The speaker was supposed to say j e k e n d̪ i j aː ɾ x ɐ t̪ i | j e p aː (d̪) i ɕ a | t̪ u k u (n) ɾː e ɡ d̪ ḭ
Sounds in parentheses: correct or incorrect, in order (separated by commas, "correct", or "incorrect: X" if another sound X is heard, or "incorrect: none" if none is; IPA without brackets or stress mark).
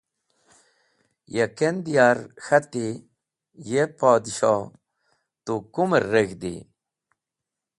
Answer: correct, incorrect: m